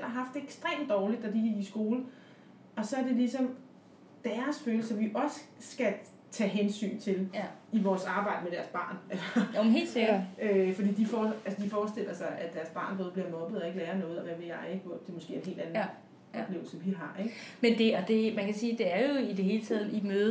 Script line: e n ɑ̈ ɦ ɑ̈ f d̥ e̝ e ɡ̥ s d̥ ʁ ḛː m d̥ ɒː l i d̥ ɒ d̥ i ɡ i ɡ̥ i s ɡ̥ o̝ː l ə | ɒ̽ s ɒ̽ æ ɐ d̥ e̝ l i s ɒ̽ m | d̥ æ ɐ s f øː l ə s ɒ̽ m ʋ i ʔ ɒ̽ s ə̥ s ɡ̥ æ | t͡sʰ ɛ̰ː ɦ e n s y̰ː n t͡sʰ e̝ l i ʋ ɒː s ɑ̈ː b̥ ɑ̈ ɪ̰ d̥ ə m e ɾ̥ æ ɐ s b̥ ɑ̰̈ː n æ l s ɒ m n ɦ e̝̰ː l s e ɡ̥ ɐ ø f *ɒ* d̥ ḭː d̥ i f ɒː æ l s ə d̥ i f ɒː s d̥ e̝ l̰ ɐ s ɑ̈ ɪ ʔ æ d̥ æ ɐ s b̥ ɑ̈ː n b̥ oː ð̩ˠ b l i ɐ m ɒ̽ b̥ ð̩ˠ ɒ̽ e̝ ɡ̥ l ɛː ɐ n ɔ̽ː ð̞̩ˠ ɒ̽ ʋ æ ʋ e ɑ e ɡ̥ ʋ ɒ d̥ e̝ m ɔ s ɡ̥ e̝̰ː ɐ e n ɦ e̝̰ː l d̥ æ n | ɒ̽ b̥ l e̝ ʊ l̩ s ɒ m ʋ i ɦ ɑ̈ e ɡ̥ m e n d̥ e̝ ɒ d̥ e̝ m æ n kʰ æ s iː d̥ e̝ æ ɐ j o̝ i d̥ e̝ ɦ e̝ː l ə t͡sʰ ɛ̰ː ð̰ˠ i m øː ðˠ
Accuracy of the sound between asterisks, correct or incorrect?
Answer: correct